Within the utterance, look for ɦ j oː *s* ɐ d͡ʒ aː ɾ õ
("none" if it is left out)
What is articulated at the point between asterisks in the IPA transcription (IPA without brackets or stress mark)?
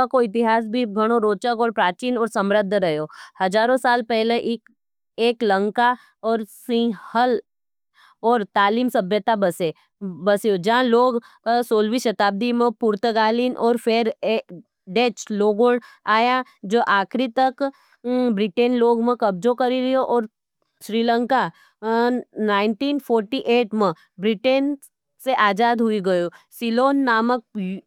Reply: h